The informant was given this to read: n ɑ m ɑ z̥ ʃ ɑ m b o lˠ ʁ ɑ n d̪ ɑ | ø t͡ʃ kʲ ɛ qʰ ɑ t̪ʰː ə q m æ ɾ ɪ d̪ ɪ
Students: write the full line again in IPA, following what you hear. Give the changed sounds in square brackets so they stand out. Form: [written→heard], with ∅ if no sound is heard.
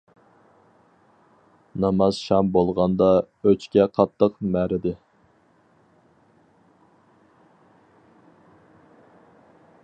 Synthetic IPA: n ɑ m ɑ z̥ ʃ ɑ m b o lˠ ʁ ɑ n d̪ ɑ | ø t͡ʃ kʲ ɛ qʰ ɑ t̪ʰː ə q m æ ɾ ɪ d̪ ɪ